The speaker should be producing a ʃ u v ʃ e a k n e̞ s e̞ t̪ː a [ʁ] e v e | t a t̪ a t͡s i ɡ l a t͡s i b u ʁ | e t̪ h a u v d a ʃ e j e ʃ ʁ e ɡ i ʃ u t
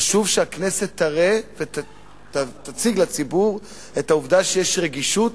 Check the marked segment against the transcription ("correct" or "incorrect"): correct